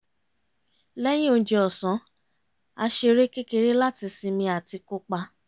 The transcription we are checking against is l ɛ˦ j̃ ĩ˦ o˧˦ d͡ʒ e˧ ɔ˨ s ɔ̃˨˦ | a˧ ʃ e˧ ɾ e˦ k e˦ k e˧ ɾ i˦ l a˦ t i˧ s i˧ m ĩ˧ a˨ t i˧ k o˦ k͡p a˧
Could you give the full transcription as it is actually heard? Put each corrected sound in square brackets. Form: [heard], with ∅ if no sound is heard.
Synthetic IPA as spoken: l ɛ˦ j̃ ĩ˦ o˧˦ d͡ʒ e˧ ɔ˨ s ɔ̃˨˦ | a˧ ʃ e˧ ɾ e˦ k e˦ k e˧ ɾ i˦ l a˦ t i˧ s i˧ m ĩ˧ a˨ t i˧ k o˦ k͡p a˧